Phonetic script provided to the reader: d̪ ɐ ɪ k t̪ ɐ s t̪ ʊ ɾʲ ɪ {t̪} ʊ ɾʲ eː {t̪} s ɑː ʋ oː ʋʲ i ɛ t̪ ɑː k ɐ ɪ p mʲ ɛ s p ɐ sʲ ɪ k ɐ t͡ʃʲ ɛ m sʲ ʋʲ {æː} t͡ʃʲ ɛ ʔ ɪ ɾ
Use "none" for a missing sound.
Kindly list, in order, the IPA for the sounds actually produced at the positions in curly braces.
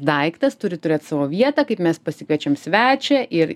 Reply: t̪, t̪, æː

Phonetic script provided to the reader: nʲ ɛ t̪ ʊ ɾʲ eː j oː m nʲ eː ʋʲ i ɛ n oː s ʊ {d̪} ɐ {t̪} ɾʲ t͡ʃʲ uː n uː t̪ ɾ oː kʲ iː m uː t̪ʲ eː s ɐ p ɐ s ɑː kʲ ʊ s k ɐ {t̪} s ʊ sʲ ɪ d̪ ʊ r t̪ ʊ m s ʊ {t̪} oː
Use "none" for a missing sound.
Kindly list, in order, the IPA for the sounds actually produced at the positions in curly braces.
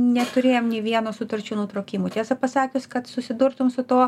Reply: t̪, none, t̪, t̪

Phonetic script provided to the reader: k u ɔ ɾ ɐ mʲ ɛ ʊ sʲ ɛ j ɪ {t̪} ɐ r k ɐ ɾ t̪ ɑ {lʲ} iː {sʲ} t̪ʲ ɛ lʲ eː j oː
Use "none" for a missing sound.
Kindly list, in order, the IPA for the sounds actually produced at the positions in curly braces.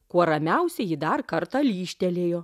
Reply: d̪, lʲ, ʃʲ

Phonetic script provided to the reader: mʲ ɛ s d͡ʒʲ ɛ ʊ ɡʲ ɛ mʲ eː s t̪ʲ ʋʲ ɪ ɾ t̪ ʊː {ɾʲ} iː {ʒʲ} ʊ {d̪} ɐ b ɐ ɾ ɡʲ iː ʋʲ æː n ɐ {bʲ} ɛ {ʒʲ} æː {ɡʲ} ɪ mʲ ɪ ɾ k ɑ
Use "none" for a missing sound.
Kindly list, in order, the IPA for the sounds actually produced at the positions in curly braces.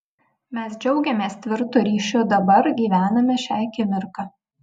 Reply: ɾʲ, ʃʲ, d̪, mʲ, ʃʲ, kʲ

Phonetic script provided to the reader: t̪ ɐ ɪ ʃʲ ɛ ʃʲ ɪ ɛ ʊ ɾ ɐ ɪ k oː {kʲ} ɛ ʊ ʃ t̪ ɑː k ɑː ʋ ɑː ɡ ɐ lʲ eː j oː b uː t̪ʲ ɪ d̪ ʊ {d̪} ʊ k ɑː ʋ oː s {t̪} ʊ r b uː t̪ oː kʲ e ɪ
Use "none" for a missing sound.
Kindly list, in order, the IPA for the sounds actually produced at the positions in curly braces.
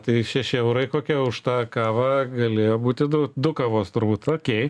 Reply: kʲ, d̪, t̪

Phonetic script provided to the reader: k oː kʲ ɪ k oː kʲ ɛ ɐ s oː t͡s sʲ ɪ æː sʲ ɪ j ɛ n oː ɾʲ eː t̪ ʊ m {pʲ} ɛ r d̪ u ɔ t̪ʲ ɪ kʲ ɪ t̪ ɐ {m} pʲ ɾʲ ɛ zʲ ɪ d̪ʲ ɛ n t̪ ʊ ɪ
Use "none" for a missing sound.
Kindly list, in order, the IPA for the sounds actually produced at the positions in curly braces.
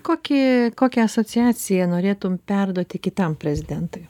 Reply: pʲ, m

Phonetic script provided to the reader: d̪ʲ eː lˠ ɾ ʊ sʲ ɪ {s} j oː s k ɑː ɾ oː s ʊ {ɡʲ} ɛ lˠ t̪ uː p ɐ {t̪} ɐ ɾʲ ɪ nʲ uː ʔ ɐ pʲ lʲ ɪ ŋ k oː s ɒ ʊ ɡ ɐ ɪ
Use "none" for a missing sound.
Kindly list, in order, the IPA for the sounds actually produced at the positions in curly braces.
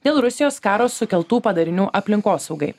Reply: none, kʲ, d̪

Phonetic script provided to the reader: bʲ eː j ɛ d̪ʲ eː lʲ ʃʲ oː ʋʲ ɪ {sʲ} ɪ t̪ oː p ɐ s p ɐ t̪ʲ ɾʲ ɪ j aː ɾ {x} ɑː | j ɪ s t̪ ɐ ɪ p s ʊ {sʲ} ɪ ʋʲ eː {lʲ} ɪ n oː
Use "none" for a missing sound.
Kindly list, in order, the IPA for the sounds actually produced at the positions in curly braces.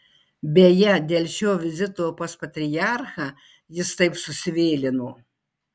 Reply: zʲ, x, sʲ, lʲ

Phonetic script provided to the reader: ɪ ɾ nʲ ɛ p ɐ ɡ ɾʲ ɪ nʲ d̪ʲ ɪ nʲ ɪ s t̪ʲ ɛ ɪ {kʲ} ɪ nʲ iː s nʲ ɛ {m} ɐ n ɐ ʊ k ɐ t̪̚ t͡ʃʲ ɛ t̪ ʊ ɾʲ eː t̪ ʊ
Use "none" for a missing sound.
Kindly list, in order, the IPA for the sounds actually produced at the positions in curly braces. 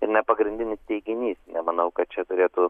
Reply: ɡʲ, m

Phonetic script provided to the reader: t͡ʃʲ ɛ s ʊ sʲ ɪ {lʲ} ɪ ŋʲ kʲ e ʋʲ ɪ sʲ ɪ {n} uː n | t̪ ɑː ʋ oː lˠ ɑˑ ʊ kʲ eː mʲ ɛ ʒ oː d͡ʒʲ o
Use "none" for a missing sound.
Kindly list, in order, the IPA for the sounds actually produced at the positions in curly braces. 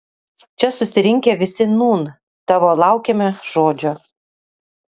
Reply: ɾʲ, n

